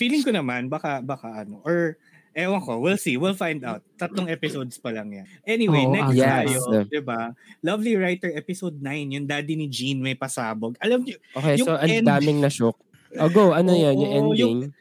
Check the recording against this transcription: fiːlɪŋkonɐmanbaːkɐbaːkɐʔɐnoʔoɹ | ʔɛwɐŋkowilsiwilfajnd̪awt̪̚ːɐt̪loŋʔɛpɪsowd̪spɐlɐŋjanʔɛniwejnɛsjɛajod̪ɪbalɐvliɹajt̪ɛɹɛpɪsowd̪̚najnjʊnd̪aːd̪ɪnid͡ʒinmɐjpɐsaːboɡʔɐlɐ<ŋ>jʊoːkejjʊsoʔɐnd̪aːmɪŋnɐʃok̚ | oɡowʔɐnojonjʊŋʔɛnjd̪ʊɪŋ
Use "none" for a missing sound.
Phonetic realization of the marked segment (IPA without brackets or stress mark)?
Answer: m